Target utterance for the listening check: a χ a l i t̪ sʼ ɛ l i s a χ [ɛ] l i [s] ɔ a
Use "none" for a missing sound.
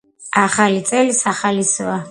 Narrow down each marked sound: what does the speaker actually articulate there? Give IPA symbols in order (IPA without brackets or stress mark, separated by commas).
a, s